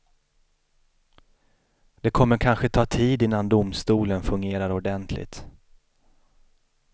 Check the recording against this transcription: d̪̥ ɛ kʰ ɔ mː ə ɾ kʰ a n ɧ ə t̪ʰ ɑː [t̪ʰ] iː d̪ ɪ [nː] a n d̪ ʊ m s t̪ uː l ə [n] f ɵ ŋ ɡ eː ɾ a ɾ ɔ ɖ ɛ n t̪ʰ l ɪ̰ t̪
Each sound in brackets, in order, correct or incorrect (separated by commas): correct, correct, correct